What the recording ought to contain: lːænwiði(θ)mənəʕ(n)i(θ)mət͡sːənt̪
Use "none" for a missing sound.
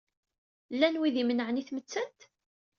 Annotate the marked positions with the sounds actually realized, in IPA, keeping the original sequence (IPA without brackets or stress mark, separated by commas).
none, n, θ